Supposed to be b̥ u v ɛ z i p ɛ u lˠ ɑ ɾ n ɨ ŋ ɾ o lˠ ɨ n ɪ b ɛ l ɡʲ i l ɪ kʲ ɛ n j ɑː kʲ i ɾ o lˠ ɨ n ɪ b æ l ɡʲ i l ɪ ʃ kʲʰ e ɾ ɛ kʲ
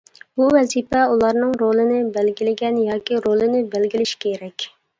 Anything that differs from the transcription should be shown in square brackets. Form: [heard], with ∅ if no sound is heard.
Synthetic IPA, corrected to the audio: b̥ u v ɛ z i p ɛ u lˠ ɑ ɾ n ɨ ŋ ɾ o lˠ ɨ n ɪ b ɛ l ɡʲ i l ɪ [ɡʲ] ɛ n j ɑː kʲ i ɾ o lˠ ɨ n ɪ b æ l ɡʲ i l ɪ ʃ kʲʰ e ɾ ɛ kʲ